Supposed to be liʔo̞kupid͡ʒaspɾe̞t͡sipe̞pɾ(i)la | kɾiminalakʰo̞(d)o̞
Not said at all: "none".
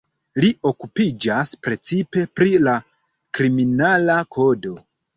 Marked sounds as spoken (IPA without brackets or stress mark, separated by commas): i, d